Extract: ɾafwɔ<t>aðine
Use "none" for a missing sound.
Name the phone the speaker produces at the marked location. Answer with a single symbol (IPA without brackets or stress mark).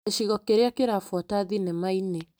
t